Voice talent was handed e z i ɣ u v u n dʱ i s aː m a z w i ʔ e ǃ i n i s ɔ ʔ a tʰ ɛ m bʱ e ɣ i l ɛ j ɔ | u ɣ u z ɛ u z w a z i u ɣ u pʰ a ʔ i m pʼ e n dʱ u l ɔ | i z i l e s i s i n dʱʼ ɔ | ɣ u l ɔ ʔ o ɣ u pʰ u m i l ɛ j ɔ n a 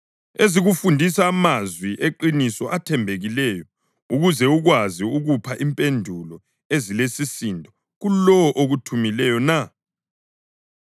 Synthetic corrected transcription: e z i ɣ u f u n dʱ i s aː m a z w i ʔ e ǃ i n i s ɔ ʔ a tʰ ɛ m bʱ e ɣ i l ɛ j ɔ | u ɣ u z ɛ u ɣ w a z i u ɣ u pʰ a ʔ i m pʼ e n dʱ u l ɔ | e z i l e s i s i n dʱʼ ɔ | ɣ u l ɔ ʔ o ɣ u tʰ u m i l ɛ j ɔ n a